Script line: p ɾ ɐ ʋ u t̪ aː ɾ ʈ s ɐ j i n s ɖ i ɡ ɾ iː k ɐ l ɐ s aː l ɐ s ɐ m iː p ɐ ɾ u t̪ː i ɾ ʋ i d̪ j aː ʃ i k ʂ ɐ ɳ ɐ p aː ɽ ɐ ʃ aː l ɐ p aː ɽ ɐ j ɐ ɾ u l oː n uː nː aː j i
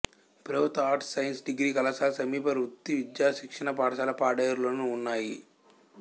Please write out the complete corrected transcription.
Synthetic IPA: p ɾ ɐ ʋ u t̪ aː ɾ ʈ s ɐ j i n s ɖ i ɡ ɾ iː k ɐ l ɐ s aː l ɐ s ɐ m iː p ɐ ɾ u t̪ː i ʋ i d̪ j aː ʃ i k ʂ ɐ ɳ ɐ p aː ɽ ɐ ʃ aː l ɐ p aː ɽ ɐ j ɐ ɾ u l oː n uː nː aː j i